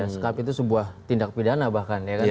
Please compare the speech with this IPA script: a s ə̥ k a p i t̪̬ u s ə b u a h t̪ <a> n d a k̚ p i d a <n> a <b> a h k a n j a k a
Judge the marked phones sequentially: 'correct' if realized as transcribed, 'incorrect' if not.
incorrect, correct, correct

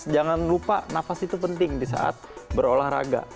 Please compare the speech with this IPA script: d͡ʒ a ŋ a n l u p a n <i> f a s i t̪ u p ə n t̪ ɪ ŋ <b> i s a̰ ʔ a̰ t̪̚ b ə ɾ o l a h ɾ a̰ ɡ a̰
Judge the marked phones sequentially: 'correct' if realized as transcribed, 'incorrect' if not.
incorrect, incorrect

